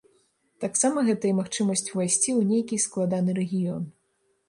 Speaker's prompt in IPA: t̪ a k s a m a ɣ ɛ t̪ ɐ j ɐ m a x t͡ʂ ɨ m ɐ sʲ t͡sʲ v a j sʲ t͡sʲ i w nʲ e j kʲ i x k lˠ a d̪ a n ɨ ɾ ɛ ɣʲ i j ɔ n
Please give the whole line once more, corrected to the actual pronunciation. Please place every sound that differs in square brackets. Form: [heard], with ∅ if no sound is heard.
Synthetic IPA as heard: t̪ a k s a m [ɐ] ɣ ɛ t̪ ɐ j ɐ m a x t͡ʂ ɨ m ɐ sʲ t͡sʲ v a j sʲ t͡sʲ i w nʲ e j kʲ i [s] k lˠ a d̪ a n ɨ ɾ ɛ ɣʲ i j ɔ n